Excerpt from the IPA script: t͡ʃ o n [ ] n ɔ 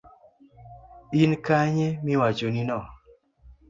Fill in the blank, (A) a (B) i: B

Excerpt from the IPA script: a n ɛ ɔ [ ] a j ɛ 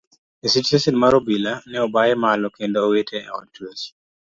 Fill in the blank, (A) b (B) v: A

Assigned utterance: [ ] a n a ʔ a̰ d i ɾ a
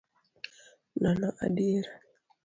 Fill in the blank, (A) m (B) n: B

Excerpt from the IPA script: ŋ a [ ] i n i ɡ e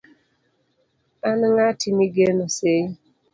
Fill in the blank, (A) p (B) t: B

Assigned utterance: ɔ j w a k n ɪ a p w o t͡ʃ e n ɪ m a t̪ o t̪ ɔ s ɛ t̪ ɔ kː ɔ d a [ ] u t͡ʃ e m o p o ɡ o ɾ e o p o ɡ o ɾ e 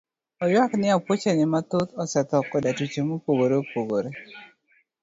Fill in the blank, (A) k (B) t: B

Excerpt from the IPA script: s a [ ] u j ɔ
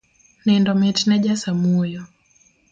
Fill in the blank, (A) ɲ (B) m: B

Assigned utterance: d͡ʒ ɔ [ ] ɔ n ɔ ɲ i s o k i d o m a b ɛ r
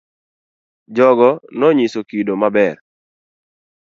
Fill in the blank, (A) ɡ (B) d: A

